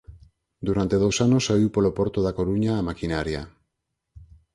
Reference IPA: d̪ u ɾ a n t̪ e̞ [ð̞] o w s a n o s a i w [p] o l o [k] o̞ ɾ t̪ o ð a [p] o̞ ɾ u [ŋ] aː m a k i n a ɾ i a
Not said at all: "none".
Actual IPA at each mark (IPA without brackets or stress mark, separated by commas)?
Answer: ð̞, p, p, k, ɲ